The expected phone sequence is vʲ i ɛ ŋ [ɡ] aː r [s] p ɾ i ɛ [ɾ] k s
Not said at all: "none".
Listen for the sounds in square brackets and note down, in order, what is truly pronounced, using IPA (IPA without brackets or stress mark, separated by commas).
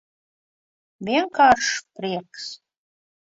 k, ʂ, none